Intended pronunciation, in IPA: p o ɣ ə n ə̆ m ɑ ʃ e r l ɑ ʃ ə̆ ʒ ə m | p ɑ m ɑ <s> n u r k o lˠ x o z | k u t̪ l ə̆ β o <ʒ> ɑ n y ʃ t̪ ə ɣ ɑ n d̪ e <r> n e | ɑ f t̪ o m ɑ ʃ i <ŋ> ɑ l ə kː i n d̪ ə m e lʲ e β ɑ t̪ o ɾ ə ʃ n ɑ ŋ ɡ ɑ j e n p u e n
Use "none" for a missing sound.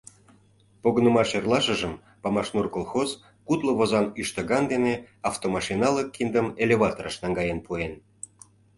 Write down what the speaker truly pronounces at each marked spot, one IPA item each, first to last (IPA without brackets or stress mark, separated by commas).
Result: ʃ, z, none, n